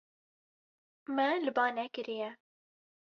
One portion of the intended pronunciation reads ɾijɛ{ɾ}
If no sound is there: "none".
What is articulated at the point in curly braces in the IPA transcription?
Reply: none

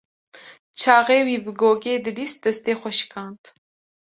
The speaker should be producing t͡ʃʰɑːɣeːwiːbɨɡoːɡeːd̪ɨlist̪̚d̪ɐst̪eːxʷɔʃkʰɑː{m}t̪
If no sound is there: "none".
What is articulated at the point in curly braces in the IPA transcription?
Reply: n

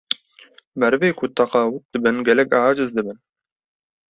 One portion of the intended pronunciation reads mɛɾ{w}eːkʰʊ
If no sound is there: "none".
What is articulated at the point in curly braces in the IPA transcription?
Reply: v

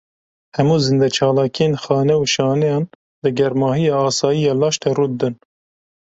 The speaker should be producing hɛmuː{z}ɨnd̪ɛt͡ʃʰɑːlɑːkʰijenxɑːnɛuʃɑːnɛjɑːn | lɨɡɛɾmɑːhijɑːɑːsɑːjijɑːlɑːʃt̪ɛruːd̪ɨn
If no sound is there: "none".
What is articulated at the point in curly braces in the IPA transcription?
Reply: z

